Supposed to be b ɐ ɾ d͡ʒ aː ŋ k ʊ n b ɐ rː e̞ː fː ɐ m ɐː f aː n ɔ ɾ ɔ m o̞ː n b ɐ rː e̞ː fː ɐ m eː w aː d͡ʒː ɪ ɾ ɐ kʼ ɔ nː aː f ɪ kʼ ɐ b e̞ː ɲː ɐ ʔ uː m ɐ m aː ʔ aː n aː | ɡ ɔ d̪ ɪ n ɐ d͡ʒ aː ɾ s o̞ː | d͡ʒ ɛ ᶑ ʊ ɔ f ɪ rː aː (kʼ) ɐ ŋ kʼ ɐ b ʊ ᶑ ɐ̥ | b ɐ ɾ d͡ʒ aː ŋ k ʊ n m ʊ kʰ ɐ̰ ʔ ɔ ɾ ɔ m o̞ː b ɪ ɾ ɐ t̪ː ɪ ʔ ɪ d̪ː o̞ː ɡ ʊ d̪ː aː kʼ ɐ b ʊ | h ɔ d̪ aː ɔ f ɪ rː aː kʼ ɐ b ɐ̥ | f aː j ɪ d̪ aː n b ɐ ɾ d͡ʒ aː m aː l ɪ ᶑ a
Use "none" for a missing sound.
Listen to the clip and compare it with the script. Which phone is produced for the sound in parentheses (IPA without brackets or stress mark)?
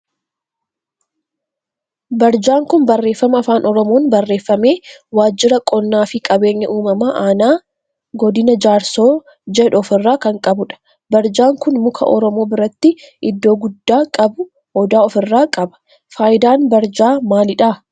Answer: k